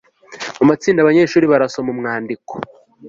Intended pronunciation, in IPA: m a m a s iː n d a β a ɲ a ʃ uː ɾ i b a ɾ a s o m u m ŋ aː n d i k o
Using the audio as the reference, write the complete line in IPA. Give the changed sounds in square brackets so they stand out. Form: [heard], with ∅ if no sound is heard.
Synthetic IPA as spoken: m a m a [t͡s] iː n d a β a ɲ [e] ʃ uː ɾ i [β] a ɾ a s o m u m ŋ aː n d i k o